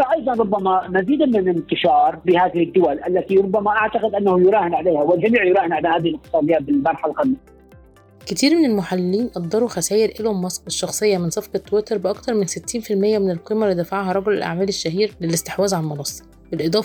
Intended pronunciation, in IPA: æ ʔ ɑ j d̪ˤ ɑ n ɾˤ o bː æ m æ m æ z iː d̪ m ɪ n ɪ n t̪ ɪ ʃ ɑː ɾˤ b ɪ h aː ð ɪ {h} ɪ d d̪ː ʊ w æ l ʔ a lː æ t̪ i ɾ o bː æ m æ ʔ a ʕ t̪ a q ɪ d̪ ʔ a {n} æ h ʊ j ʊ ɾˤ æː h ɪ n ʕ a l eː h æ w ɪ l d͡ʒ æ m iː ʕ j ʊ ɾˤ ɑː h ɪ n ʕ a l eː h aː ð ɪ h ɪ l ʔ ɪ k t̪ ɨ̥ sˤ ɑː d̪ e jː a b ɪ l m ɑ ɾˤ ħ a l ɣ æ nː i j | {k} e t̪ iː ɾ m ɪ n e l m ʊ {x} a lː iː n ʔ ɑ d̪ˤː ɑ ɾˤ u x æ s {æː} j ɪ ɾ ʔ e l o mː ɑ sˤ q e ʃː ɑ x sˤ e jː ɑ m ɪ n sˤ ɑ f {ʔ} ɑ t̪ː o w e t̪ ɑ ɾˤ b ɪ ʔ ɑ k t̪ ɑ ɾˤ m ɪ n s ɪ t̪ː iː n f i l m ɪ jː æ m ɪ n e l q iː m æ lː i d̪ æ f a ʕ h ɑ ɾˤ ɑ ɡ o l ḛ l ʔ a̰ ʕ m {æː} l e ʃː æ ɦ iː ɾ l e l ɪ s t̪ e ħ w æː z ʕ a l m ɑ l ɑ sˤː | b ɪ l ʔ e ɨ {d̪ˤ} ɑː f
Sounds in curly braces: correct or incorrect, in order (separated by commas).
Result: correct, incorrect, correct, incorrect, correct, incorrect, correct, correct